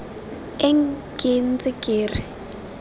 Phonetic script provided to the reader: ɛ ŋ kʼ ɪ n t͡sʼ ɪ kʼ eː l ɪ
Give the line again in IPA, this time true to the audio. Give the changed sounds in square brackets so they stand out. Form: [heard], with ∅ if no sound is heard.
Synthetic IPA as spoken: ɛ ŋ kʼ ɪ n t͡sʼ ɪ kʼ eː [r] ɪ